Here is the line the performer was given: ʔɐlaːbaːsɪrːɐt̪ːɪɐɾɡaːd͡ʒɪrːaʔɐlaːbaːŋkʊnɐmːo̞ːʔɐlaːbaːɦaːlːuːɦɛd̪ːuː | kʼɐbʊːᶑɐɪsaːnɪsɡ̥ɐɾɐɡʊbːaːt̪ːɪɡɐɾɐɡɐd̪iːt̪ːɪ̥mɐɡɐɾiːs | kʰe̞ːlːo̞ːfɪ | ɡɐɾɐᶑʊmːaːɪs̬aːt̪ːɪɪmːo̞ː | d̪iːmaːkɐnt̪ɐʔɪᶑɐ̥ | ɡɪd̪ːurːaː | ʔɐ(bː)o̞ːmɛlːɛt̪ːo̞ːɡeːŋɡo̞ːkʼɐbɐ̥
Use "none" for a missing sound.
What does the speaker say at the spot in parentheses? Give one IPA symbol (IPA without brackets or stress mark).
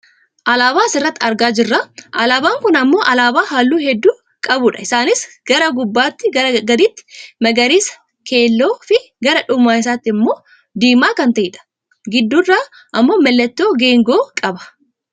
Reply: mː